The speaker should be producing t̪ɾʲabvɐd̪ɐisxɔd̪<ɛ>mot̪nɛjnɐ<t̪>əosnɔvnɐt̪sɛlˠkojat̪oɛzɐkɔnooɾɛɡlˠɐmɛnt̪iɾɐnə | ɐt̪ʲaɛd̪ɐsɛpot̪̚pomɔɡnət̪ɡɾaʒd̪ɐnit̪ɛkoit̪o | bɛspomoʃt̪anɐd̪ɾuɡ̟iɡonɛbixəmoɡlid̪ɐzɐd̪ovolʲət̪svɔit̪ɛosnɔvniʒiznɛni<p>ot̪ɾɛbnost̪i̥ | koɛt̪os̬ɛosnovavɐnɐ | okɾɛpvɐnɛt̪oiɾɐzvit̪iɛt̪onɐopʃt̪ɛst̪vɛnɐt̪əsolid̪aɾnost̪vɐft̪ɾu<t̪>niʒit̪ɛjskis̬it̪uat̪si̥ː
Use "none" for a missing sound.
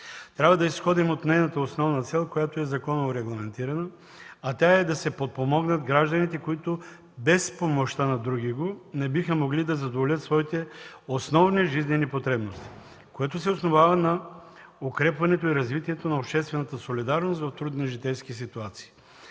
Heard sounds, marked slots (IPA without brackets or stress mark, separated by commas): i, t̪, p, d̪